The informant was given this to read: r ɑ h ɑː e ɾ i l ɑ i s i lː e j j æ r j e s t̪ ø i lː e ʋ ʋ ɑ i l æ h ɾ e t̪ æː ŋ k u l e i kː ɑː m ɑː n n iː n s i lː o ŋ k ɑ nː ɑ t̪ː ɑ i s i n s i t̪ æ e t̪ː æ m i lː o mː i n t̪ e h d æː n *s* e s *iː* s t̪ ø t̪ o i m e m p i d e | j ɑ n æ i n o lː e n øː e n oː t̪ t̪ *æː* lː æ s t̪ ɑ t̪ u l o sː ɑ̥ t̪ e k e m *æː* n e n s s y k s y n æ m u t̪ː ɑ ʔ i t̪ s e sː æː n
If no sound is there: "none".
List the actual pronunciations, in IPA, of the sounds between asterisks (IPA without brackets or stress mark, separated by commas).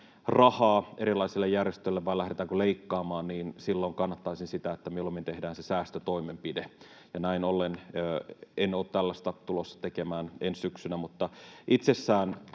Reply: s, æː, æ, æː